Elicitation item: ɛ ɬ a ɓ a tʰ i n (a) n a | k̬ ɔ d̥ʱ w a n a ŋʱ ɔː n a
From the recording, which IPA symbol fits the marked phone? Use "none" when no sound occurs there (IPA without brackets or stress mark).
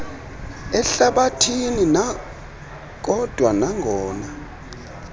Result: i